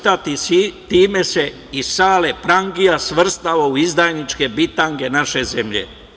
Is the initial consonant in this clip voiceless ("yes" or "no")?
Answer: yes